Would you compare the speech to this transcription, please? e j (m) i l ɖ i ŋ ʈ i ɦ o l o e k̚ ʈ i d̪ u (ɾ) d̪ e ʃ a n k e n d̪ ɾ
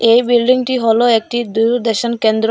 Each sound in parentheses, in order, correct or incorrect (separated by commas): incorrect, correct